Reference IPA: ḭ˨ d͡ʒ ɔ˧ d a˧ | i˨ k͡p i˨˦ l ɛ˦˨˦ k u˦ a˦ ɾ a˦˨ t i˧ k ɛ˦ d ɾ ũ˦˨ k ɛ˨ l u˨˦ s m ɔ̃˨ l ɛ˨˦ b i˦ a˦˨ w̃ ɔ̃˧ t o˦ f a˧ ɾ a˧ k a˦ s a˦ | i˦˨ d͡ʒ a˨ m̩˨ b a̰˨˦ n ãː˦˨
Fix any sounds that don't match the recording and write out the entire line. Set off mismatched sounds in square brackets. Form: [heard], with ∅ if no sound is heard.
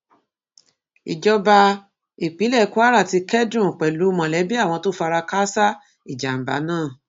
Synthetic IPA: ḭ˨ d͡ʒ ɔ˧ [b] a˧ | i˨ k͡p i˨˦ l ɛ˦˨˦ k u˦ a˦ ɾ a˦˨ t i˧ k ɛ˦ d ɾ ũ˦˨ [k͡p] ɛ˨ l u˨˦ [∅] m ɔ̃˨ l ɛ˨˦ b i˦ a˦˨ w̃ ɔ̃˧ t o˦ f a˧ ɾ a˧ k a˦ s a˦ | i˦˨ d͡ʒ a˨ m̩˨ b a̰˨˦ n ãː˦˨